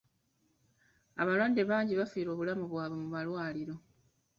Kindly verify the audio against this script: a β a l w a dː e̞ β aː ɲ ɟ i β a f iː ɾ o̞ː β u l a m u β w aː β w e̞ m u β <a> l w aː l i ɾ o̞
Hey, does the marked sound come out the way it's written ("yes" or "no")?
yes